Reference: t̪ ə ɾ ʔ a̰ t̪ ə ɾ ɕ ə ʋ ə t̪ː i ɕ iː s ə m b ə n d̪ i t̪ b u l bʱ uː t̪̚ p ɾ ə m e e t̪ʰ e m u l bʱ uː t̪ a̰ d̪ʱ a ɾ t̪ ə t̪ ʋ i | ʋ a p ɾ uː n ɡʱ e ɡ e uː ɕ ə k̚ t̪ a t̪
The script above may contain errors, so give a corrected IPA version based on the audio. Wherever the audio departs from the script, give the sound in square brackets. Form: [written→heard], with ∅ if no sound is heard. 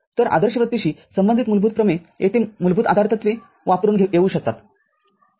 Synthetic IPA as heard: t̪ ə ɾ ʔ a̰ [t̪→d̪] ə ɾ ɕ ə ʋ ə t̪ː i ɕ iː s ə m b ə n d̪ i t̪ [b→m] u l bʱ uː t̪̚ p ɾ ə m e e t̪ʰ e m u l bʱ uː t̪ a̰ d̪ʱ a ɾ t̪ ə t̪ ʋ [i→e] | ʋ a p ɾ uː n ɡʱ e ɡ e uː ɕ ə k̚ t̪ a t̪